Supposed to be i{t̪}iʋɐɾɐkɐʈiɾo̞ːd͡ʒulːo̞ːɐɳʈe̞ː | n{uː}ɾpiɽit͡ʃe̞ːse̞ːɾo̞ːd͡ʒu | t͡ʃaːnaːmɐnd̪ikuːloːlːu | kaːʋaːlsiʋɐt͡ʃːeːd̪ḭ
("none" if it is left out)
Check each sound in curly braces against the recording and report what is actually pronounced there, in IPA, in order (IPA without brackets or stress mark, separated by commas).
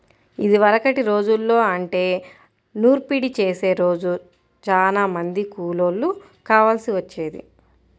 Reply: d̪, uː